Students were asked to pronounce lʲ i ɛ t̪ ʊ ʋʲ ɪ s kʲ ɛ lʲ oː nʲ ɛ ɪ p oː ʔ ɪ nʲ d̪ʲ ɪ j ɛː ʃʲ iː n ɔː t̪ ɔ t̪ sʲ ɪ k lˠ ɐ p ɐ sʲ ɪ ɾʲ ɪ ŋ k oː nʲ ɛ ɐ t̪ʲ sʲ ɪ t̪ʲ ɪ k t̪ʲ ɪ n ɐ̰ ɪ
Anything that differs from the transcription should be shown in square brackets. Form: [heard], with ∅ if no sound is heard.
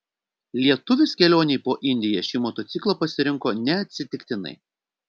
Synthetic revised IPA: lʲ i ɛ t̪ ʊ ʋʲ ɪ s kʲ ɛ lʲ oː nʲ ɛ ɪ p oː ʔ ɪ nʲ d̪ʲ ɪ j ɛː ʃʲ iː [m] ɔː t̪ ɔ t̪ sʲ ɪ k lˠ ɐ p ɐ sʲ ɪ ɾʲ ɪ ŋ k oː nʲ ɛ ɐ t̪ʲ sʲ ɪ t̪ʲ ɪ k t̪ʲ ɪ n ɐ̰ ɪ